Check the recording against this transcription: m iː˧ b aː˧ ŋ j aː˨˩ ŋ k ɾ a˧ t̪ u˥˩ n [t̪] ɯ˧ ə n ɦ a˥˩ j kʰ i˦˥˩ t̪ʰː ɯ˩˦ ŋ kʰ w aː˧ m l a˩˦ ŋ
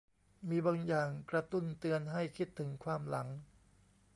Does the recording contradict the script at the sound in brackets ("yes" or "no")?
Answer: no